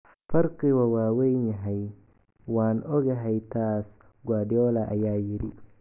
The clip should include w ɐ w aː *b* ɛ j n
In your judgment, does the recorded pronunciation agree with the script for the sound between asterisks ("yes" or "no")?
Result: no